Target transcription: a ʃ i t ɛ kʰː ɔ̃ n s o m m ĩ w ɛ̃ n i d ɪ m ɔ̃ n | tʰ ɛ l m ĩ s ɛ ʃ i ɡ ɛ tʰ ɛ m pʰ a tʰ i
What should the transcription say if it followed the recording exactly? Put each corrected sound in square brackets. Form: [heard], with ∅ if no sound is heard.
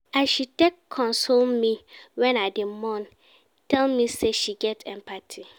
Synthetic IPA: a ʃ i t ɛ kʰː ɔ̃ n s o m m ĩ w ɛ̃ n [a] d ɪ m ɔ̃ n | tʰ ɛ l m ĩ s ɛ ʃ i ɡ ɛ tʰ ɛ m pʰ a tʰ i